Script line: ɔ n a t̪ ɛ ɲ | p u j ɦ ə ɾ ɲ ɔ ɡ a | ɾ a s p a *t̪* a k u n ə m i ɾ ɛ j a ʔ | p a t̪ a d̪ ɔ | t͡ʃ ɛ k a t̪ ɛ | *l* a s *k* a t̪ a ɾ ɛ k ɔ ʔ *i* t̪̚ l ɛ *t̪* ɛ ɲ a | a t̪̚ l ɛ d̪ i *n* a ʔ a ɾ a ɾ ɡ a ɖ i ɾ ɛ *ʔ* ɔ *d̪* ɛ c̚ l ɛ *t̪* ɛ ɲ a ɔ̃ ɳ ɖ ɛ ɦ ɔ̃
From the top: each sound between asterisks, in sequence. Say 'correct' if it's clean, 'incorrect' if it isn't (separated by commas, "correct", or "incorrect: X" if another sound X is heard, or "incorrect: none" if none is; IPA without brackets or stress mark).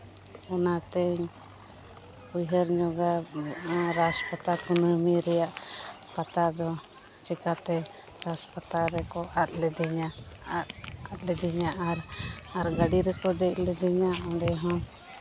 correct, incorrect: ɾ, incorrect: p, incorrect: a, incorrect: d̪, incorrect: ɲ, incorrect: k, correct, incorrect: d̪